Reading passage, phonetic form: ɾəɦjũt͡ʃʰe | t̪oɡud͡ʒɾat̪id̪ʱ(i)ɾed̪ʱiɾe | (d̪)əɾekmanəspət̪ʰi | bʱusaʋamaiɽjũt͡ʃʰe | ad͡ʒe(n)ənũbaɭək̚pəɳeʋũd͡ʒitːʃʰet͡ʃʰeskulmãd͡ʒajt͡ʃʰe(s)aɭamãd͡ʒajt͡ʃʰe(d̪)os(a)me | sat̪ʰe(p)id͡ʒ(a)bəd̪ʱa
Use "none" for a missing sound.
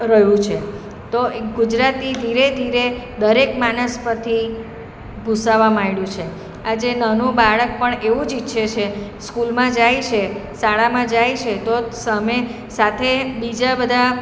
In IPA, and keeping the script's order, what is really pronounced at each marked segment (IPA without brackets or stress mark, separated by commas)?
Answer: i, d̪, n, s, t̪, ə, b, a